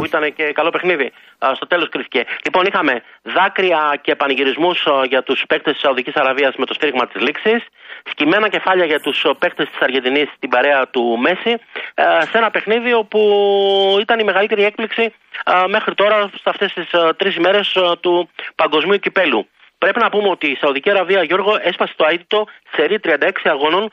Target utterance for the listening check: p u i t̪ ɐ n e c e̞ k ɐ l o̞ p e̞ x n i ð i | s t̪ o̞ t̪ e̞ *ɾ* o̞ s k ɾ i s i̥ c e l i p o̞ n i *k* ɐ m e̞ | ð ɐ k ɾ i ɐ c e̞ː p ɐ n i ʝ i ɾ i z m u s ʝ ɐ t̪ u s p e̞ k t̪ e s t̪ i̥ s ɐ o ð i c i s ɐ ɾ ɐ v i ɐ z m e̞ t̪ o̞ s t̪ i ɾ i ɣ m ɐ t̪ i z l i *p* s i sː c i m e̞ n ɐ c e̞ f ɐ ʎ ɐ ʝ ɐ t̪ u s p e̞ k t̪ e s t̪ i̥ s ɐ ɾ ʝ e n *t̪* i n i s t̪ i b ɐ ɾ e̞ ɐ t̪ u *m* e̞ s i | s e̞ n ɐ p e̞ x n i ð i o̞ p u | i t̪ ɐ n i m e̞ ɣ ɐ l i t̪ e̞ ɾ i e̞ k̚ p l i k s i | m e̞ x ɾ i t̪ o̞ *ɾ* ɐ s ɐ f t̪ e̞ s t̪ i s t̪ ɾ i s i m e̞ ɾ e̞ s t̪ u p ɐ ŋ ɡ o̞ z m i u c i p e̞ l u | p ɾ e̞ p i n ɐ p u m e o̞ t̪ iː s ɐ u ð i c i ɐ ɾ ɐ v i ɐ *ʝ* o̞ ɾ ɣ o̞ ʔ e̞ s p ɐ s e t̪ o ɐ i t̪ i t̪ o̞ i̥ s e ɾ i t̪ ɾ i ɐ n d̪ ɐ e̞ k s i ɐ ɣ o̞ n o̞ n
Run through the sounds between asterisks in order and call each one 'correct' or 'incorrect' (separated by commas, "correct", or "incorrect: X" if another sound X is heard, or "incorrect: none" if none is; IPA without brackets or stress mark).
incorrect: l, incorrect: x, incorrect: k, incorrect: d̪, correct, correct, correct